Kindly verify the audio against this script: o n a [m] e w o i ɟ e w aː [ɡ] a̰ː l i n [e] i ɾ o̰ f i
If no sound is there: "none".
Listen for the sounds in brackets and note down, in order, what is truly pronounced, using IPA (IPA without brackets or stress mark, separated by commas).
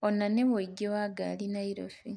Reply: n, ɡ, a